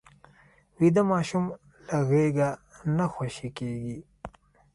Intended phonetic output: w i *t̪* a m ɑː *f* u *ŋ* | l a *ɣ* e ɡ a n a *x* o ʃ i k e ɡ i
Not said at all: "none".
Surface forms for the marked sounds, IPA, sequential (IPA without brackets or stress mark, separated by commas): d̪, ʃ, m, ɣ, x